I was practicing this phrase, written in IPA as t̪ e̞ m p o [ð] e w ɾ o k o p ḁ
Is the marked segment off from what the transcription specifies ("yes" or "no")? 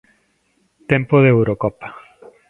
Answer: no